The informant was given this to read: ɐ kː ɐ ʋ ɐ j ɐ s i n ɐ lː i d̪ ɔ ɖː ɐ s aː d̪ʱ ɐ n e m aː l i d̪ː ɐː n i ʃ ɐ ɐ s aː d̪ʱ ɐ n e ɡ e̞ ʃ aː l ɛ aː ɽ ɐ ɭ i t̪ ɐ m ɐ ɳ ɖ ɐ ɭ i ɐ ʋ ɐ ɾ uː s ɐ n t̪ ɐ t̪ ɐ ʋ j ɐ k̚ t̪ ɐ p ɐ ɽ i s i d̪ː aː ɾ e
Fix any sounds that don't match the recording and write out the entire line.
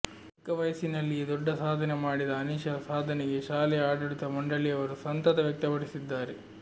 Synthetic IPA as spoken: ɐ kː ɐ ʋ ɐ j ɐ s i n ɐ lː i d̪ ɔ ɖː ɐ s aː d̪ʱ ɐ n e m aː ɽ i d̪ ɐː n i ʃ ɐ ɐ s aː d̪ʱ ɐ n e ɡ e̞ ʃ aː l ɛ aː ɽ ɐ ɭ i t̪ ɐ m ɐ ɳ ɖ ɐ ɭ i ɐ ʋ ɐ ɾ u s ɐ n t̪ ɐ t̪ ɐ ʋ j ɐ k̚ t̪ ɐ p ɐ ɽ i s i d̪ː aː ɾ e